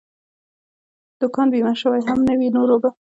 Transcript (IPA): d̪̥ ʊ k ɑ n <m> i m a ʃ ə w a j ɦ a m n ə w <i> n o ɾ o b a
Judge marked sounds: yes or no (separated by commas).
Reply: no, yes